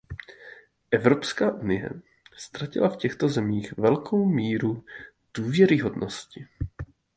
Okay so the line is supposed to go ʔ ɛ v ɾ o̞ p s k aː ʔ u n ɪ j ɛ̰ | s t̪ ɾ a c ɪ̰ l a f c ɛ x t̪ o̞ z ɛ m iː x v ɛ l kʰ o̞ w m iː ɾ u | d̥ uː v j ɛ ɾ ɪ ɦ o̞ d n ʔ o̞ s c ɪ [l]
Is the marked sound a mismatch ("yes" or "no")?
yes